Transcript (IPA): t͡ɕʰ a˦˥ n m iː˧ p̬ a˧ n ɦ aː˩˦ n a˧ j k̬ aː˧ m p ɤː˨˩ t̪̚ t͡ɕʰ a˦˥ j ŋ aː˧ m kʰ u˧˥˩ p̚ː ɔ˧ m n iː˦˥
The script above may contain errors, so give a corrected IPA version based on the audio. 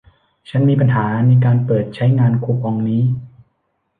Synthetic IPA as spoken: t͡ɕʰ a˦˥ n m iː˧ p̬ a˧ n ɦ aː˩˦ n a˧ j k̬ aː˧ n p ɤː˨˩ t̪̚ t͡ɕʰ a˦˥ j ŋ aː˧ n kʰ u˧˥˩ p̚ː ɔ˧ ŋ n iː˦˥